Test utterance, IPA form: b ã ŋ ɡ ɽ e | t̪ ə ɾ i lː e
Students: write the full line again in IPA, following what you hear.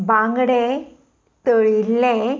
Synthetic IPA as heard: b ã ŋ ɡ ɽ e | t̪ ə ɭ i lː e